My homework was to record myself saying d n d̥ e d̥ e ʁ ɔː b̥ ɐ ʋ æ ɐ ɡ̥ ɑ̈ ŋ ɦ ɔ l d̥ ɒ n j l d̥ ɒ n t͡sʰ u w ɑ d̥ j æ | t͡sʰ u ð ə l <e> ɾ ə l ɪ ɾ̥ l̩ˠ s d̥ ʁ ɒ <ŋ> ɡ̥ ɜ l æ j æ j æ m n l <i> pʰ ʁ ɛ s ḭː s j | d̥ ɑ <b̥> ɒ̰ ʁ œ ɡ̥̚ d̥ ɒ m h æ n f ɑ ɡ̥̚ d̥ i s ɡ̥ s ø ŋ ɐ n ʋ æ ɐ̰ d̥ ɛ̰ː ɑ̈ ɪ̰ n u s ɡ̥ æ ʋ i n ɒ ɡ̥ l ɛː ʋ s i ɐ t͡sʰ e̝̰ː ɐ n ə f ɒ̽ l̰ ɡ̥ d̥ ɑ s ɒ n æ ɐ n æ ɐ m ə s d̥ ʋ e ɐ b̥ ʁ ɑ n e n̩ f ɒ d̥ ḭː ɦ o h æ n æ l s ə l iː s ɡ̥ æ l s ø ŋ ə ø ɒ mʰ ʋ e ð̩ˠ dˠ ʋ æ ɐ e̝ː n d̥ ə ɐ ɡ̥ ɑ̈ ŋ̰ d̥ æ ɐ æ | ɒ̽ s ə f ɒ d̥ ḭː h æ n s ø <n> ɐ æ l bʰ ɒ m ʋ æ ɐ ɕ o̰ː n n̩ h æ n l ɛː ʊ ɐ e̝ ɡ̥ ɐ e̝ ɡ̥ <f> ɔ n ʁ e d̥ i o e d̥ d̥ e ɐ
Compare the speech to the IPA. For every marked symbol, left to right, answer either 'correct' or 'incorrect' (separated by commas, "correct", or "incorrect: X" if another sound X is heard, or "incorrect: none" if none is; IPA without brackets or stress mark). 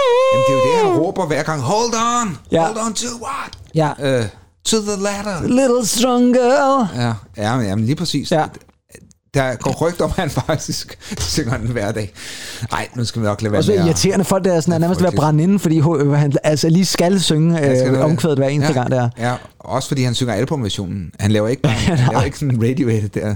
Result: incorrect: æ, correct, incorrect: iː, incorrect: ɡ̥, incorrect: ŋ, incorrect: s